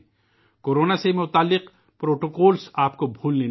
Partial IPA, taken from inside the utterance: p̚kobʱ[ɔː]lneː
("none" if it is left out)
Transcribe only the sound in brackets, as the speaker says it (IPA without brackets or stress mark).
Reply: uː